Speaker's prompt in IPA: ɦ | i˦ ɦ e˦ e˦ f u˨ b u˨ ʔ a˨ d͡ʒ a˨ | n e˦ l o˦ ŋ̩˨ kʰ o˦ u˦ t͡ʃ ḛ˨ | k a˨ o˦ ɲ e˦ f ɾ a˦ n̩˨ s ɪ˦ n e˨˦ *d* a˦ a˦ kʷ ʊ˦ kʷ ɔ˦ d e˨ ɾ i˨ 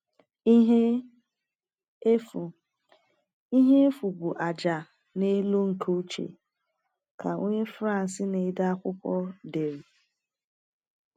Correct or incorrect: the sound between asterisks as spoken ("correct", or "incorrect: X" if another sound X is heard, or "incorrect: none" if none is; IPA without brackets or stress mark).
correct